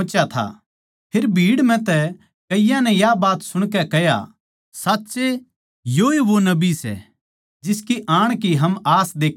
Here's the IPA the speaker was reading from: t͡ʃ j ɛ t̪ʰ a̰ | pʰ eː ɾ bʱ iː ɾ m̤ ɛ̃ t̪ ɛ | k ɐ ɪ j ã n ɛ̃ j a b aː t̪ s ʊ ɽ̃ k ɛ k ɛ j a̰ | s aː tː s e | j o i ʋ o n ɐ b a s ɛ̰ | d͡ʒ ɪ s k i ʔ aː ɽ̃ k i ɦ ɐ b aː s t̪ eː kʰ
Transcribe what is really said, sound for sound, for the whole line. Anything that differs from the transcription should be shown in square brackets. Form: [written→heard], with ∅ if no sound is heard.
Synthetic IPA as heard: t͡ʃ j [ɛ→a] t̪ʰ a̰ | pʰ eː ɾ bʱ iː [ɾ→ɽ] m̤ ɛ̃ t̪ ɛ | k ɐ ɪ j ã n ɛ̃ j a b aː t̪ s ʊ ɽ̃ k ɛ k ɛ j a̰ | s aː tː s e | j o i ʋ o n ɐ b [a→i] s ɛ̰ | d͡ʒ ɪ s k i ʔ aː ɽ̃ k i ɦ ɐ [b→m] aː s [t̪→d̪] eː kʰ